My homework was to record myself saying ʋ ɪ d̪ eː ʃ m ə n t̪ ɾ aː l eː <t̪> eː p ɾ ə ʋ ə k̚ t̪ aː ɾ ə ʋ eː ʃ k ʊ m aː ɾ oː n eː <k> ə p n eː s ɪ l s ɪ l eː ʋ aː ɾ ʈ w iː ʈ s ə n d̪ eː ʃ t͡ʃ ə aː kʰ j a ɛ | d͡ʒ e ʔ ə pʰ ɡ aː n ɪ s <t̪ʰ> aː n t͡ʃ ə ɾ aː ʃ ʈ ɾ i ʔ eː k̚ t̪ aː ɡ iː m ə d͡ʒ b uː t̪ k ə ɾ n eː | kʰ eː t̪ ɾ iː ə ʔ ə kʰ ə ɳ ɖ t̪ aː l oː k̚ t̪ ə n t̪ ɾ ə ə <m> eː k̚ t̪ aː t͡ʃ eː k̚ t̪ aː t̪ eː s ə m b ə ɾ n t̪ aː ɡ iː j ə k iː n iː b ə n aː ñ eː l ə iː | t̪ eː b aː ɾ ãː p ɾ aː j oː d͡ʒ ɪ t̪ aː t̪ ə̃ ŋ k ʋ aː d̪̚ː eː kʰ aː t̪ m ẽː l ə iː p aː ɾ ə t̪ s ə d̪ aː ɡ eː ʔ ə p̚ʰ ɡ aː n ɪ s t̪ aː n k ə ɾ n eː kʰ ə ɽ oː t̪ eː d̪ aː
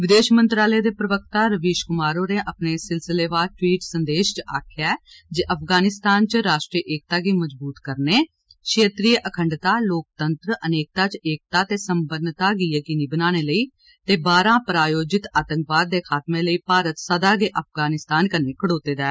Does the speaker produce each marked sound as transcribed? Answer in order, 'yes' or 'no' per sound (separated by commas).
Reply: no, no, no, no